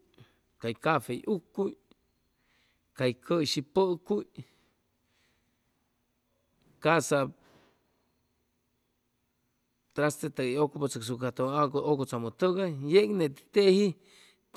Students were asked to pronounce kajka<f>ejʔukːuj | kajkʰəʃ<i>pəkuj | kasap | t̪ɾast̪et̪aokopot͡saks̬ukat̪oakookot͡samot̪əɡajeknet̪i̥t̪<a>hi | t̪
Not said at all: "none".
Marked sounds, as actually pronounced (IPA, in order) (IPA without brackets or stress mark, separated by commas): f, i, e